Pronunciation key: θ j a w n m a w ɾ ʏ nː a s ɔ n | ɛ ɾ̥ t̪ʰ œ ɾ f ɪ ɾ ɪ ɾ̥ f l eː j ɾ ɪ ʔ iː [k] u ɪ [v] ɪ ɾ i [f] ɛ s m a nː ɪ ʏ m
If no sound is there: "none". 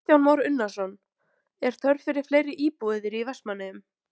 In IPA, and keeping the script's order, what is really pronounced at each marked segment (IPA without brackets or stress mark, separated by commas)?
p, ð, v